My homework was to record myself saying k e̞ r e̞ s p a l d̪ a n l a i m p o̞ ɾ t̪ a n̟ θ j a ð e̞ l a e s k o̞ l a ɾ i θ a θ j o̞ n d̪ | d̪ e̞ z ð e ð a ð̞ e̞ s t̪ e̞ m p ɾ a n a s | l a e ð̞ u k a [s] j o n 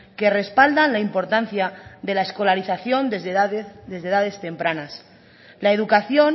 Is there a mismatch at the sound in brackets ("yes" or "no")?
yes